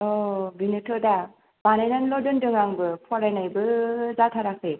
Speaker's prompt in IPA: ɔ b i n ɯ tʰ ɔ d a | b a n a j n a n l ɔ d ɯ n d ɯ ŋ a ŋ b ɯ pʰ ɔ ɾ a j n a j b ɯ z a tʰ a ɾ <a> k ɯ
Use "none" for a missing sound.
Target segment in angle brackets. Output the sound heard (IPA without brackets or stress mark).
a